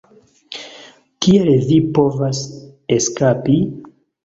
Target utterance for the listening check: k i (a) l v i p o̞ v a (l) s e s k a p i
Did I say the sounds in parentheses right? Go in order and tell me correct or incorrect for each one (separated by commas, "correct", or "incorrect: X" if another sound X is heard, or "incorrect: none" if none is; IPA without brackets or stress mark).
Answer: incorrect: e, incorrect: none